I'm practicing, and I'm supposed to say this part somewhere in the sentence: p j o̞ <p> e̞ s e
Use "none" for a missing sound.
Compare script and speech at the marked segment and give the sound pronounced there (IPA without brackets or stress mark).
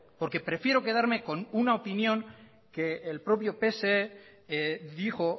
p